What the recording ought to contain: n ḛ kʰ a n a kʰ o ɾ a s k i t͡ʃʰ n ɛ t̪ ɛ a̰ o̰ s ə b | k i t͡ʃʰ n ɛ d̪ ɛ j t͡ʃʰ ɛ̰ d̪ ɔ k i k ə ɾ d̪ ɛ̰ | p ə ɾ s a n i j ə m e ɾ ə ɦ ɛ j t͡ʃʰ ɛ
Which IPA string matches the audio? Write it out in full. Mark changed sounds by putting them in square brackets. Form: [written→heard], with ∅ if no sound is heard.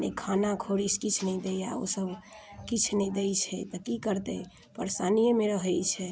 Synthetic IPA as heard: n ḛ kʰ a n a kʰ o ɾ [a→i] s k i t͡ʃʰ n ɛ [t̪→d̪] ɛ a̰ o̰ s ə b | k i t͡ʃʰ n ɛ d̪ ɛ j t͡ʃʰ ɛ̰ [d̪→t̪] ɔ k i k ə ɾ [d̪→t̪] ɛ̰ | p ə ɾ s a n i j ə m e ɾ ə ɦ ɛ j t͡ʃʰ ɛ